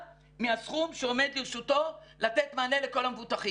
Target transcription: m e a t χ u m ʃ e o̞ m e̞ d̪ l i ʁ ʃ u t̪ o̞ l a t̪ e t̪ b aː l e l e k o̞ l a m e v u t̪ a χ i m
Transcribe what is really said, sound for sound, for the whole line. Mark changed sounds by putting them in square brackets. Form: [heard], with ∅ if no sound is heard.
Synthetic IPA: m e a [s] χ u m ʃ e o̞ m e̞ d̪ l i ʁ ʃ u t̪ o̞ l a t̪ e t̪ [m] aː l e l e k o̞ l a m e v u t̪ a χ i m